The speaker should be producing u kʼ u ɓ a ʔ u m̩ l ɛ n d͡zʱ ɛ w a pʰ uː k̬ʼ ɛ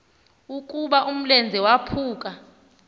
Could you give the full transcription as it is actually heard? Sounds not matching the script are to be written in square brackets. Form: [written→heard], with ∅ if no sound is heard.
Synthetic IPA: u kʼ u ɓ a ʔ u m̩ l ɛ n d͡zʱ ɛ w a pʰ uː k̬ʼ [ɛ→a]